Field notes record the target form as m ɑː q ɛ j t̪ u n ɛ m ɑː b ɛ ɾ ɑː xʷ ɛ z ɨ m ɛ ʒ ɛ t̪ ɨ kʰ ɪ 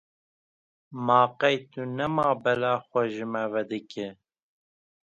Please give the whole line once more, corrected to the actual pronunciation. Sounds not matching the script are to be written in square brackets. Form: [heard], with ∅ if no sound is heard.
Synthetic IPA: m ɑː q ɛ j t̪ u n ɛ m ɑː b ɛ [l] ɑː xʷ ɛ [ʒ] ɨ m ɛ [v] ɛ [d̪] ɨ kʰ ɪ